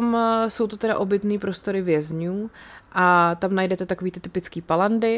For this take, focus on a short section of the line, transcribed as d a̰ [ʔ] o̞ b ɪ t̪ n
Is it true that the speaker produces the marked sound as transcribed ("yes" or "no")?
yes